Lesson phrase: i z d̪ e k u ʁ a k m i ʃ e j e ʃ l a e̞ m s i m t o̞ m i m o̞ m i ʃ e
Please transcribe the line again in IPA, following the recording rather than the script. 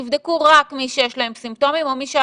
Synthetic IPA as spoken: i v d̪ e k u ʁ a k m i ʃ e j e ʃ l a e̞ m s i m t o̞ m i m o̞ m i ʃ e